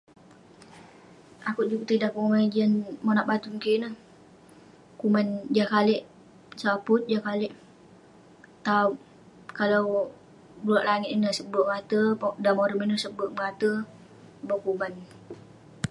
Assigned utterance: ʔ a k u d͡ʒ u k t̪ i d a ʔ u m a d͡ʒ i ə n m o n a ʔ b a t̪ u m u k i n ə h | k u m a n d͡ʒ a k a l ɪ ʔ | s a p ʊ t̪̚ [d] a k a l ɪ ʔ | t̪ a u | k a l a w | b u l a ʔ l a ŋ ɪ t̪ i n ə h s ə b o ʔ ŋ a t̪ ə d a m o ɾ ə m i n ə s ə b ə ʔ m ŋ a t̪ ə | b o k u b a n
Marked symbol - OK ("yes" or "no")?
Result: no